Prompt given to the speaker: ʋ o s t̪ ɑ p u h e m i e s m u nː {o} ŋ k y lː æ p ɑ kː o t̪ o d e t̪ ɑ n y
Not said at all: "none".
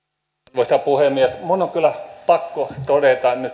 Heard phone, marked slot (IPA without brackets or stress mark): o